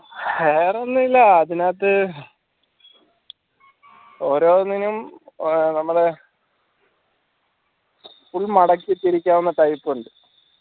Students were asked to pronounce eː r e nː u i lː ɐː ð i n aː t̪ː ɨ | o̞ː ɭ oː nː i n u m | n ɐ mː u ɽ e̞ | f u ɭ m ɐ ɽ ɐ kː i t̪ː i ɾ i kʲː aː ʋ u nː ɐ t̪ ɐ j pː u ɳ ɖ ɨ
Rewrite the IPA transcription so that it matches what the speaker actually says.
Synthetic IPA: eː r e nː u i lː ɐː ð i n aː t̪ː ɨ | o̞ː ɾ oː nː i n u m | n ɐ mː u ɽ e̞ | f u ɭ m ɐ ɽ ɐ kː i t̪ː i ɾ i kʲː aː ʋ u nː ɐ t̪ ɐ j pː u ɳ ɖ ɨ